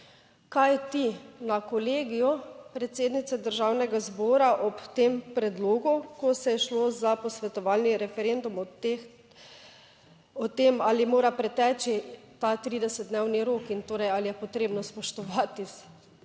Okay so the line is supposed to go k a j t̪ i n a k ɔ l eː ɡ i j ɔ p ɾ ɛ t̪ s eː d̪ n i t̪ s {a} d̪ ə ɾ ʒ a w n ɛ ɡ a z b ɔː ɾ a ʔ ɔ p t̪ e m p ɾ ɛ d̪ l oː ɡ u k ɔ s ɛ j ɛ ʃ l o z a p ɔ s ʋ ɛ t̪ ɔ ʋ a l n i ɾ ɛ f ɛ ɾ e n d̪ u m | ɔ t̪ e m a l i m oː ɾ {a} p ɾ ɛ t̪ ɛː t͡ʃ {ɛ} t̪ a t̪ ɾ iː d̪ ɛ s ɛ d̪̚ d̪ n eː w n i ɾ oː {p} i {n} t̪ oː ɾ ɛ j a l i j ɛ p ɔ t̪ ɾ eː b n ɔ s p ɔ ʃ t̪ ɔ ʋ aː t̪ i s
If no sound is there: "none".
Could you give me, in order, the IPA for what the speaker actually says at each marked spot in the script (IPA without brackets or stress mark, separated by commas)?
ɛ, a, i, k, n